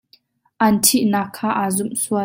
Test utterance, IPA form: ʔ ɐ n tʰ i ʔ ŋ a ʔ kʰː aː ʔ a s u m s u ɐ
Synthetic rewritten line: ʔ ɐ n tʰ i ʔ n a kʰː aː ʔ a z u m s u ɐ